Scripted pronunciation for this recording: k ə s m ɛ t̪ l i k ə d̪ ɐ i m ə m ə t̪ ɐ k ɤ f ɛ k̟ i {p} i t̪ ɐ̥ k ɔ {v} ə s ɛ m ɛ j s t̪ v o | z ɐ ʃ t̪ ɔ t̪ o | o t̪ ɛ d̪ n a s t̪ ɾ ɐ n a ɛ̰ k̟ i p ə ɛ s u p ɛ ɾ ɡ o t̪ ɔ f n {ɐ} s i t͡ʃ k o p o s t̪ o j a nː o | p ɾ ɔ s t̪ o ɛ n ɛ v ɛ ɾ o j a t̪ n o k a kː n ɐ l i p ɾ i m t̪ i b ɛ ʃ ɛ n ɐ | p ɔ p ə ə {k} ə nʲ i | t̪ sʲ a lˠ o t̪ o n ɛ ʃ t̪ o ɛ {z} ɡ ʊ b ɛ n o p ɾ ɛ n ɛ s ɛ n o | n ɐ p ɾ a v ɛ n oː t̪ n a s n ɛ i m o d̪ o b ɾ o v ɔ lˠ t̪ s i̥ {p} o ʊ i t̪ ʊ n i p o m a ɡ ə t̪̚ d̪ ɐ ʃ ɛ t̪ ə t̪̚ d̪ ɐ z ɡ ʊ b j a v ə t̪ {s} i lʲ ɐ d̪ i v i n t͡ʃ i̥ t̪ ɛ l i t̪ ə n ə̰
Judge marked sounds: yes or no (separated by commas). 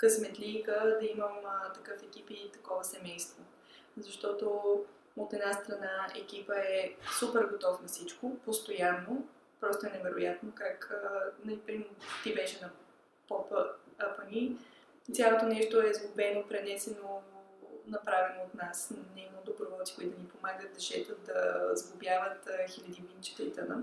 yes, yes, yes, no, yes, no, no